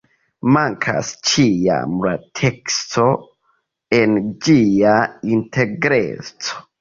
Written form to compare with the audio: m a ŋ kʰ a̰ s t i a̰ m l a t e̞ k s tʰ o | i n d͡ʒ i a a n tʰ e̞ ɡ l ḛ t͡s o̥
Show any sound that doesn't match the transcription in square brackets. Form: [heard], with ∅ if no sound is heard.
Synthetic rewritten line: m a ŋ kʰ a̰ s [t͡ʃ] i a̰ m l a [tʰ] e̞ k s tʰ o | [e] n d͡ʒ i a [i] n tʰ e̞ ɡ [ɾ] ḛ t͡s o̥